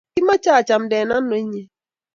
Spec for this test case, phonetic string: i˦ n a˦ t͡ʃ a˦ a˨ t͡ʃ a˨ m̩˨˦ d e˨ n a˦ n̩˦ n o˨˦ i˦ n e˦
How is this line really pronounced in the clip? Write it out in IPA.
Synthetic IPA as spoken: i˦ m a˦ t͡ʃ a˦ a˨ t͡ʃ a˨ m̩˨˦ d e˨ n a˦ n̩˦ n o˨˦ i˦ ɲ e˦